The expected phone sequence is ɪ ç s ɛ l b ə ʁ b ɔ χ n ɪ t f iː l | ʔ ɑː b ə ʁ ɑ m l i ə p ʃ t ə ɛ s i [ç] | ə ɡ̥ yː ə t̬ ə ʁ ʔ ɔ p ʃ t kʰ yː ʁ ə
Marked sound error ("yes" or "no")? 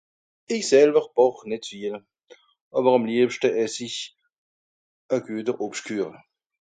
no